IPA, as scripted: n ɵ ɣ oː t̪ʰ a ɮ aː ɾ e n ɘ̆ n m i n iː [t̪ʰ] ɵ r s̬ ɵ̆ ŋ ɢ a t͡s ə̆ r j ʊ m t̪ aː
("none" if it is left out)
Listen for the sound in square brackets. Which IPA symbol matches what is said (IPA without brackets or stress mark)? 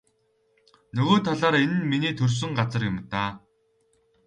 t̪ʰ